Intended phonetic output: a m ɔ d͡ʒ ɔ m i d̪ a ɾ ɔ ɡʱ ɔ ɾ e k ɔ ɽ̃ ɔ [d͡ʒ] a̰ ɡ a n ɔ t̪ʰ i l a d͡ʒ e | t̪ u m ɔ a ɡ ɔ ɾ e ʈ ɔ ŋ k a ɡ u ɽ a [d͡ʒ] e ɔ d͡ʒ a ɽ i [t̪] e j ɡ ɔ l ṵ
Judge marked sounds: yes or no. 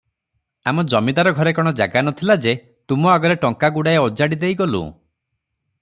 yes, no, no

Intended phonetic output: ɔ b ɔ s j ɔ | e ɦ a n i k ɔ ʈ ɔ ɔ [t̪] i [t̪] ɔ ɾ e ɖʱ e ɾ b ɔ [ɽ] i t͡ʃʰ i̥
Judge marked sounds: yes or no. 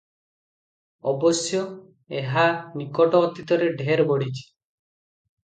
yes, yes, yes

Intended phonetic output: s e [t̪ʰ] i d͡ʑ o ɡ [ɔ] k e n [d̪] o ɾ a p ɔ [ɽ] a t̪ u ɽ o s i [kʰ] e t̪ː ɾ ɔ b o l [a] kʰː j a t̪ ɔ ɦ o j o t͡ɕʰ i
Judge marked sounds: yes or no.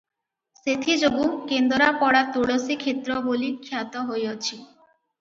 yes, no, yes, yes, yes, no

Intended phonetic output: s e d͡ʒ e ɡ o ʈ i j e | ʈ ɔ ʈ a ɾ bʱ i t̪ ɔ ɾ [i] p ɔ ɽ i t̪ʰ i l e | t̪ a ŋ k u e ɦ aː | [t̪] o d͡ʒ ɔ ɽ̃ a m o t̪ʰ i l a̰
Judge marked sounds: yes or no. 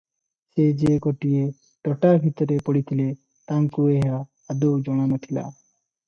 no, no

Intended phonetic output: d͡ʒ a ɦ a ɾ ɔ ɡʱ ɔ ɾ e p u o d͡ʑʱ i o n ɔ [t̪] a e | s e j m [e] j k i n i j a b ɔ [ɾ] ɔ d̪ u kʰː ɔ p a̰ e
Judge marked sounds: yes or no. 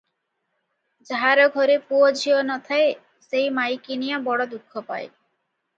no, no, no

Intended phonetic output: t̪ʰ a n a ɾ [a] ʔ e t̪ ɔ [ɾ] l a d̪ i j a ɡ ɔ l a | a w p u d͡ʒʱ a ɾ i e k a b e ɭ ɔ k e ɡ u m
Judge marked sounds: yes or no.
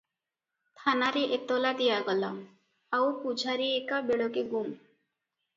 no, no

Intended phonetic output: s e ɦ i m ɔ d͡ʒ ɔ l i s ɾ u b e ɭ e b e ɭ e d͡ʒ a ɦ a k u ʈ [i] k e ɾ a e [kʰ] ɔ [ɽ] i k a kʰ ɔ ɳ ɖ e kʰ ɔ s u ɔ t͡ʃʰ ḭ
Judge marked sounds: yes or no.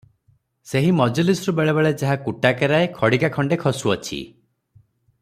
no, yes, yes

